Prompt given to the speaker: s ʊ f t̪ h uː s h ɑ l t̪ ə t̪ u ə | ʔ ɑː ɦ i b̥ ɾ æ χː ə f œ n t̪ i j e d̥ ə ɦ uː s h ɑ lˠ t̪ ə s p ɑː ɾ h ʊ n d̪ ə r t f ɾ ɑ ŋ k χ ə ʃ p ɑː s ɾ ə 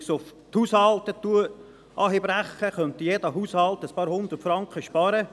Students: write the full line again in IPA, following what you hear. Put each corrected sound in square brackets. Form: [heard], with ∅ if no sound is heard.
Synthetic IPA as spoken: s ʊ f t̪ h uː s h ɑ l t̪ ə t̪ u ə | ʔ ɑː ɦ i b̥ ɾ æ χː ə [χ] œ n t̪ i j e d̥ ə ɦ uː s h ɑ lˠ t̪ ə s p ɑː ɾ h ʊ n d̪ ə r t f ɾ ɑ ŋ k χ ə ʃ p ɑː [∅] ɾ ə